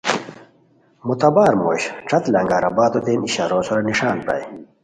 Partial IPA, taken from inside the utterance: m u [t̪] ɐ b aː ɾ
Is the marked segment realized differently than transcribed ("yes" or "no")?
no